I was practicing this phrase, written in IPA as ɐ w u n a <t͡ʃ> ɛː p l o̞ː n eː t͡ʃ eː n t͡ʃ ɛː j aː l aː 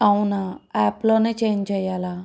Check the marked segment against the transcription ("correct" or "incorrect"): incorrect